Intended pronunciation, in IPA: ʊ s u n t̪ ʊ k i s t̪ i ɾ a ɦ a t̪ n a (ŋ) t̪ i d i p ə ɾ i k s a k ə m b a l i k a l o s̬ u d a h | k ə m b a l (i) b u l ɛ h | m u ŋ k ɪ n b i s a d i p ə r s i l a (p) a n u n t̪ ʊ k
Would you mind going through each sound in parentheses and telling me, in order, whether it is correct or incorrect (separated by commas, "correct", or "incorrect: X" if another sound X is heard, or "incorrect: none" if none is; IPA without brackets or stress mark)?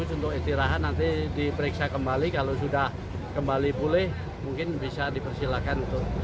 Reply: incorrect: n, correct, incorrect: k